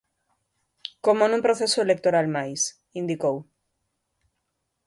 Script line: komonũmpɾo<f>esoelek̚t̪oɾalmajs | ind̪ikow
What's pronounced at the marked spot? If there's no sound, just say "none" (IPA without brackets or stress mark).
θ